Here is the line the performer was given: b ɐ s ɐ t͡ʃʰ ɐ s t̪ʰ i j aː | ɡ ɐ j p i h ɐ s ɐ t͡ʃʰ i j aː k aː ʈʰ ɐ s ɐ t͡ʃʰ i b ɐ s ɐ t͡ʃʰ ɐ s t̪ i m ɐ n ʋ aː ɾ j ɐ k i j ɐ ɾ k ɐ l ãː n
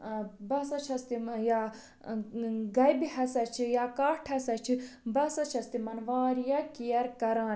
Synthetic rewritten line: b ɐ s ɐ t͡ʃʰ ɐ s t̪ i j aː | ɡ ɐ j b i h ɐ s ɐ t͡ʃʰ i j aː k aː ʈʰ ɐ s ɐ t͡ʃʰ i b ɐ s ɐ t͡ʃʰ ɐ s t̪ i m ɐ n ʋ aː ɾ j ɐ k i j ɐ ɾ k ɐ ɾ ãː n